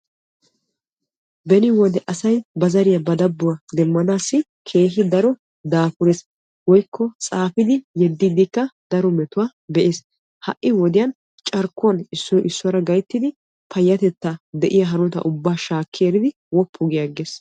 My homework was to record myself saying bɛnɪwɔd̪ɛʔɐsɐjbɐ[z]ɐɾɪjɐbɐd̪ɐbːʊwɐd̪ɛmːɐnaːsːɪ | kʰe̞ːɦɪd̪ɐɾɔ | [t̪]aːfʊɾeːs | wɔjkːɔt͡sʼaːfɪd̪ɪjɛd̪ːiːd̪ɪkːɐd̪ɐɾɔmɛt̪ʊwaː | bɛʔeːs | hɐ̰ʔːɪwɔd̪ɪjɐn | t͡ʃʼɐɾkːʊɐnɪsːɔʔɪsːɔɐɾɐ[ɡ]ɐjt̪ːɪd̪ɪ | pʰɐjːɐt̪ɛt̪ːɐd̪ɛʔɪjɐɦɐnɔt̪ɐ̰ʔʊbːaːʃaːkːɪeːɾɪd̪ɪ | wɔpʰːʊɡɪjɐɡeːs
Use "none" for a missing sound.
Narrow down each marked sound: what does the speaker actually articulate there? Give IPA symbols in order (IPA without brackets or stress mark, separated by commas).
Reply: z, d̪, ɡ